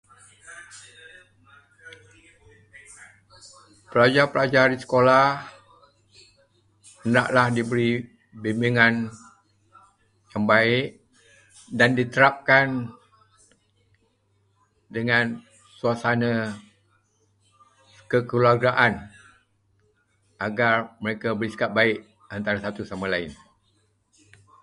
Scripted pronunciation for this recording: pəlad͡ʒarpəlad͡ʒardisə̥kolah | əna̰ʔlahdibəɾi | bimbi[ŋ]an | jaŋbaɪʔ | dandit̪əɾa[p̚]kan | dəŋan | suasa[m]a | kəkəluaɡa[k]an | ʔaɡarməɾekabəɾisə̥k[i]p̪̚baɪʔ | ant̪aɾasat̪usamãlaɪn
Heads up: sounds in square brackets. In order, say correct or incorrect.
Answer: correct, correct, incorrect: n, incorrect: ʔ, incorrect: a

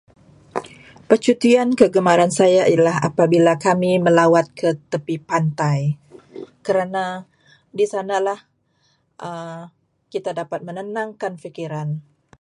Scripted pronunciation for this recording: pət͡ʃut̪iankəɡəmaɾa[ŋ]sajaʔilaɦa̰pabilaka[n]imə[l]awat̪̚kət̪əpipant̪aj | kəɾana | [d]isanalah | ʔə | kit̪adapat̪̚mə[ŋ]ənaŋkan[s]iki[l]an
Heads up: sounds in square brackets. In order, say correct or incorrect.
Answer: incorrect: n, incorrect: m, correct, correct, incorrect: n, incorrect: f, incorrect: ɾ

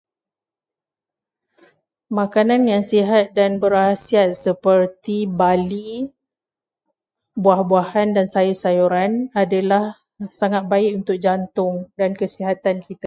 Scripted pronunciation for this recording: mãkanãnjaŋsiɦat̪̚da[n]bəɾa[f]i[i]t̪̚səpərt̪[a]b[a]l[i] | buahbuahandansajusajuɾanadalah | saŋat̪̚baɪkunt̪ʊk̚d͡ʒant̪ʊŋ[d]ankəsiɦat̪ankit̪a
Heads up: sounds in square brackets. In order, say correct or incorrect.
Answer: correct, incorrect: s, incorrect: a, incorrect: i, correct, correct, correct

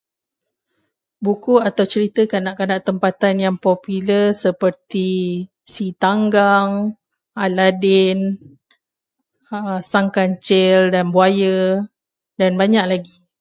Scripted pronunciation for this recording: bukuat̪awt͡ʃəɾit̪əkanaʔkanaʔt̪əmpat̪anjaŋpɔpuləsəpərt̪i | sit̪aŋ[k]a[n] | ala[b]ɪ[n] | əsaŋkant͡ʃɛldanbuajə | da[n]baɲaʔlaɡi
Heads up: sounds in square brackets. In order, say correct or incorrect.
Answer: incorrect: ɡ, incorrect: ŋ, incorrect: d, correct, correct

